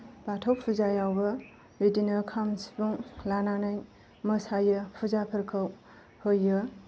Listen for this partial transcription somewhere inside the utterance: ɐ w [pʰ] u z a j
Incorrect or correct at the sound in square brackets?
correct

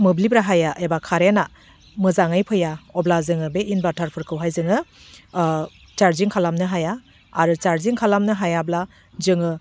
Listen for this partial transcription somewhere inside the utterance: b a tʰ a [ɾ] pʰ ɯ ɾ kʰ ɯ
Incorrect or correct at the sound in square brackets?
correct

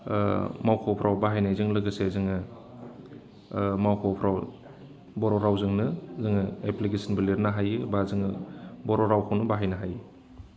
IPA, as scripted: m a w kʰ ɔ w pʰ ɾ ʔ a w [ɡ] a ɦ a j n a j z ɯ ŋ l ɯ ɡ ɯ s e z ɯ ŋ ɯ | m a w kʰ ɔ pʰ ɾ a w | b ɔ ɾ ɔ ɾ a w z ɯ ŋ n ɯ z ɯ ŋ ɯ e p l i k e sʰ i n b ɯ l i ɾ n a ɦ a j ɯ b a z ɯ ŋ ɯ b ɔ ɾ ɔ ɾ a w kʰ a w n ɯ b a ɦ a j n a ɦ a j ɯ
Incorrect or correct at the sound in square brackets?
incorrect: b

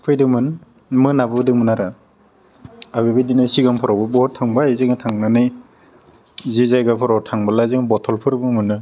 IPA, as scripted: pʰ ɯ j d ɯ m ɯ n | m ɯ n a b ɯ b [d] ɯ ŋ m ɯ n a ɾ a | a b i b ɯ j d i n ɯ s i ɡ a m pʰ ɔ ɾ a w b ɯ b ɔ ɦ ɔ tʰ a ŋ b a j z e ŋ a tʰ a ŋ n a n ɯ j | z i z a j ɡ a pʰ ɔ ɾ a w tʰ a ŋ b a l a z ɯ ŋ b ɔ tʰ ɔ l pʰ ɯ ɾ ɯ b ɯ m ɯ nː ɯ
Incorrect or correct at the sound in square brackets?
correct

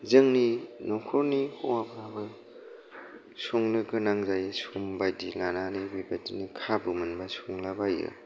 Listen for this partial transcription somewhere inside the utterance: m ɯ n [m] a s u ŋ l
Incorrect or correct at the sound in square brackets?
incorrect: b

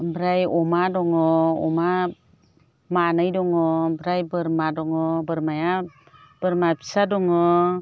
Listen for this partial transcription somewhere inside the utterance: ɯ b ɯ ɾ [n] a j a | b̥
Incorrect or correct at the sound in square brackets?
incorrect: m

